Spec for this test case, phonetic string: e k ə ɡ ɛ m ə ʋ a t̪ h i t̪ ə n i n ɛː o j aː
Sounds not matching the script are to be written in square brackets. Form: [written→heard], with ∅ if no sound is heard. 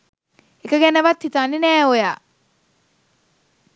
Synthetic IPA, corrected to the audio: e k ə ɡ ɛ [m→n] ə ʋ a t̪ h i t̪ [ə→a] n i n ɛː o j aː